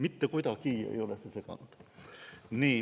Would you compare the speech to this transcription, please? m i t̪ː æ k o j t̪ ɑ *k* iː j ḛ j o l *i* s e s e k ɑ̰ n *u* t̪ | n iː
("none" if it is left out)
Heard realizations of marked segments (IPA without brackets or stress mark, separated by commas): k, e, u